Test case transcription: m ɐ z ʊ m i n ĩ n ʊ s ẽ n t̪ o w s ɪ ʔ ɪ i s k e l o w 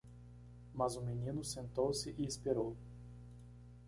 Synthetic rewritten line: m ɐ z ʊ m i n ĩ n ʊ s ẽ n t̪ o w s ɪ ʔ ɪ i s p e ɾ o w